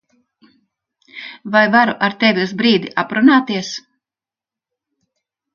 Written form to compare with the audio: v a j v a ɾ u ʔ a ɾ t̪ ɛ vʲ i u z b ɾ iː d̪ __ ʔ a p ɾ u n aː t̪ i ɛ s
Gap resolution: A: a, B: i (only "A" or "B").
B